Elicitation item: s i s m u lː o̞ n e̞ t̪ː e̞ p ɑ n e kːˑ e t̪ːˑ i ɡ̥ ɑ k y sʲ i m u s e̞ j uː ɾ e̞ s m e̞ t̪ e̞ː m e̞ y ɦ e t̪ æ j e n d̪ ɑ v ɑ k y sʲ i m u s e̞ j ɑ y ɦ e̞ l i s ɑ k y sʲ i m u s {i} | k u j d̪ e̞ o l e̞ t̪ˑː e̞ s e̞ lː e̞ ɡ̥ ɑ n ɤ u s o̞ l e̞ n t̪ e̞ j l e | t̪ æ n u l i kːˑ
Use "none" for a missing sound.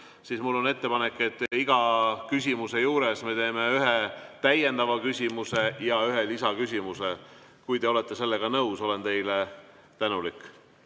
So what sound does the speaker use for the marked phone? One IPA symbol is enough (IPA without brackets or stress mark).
e